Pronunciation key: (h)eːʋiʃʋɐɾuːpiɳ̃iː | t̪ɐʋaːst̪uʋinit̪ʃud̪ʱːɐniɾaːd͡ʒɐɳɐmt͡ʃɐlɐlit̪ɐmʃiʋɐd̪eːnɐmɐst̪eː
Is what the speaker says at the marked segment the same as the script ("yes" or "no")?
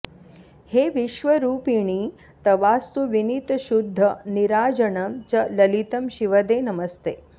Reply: yes